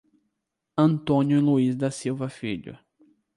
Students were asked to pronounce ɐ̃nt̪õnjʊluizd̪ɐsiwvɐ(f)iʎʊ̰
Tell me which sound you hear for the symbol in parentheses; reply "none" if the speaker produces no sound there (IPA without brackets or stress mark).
f